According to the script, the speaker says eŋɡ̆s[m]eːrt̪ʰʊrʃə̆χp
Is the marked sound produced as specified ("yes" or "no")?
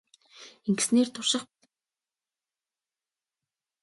no